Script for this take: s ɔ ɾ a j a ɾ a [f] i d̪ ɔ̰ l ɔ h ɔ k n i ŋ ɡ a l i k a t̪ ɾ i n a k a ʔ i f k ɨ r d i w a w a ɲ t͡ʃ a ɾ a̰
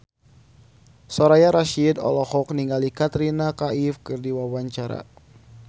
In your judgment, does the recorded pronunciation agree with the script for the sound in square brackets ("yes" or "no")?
no